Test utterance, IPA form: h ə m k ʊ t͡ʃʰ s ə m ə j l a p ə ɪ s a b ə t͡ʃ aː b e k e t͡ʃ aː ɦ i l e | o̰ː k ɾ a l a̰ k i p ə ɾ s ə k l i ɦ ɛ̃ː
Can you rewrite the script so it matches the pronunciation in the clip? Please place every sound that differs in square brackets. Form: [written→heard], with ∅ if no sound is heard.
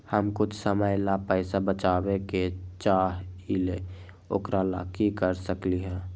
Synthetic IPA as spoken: h ə m k ʊ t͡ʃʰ s ə m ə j l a p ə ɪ s a b ə t͡ʃ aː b e k e t͡ʃ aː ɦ i l e | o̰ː k ɾ a l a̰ k i [p→k] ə ɾ s ə k l i ɦ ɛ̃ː